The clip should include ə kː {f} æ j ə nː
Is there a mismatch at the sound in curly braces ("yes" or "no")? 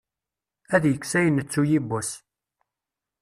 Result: yes